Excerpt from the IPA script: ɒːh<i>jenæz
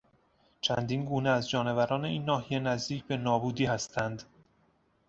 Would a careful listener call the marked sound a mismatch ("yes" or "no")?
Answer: no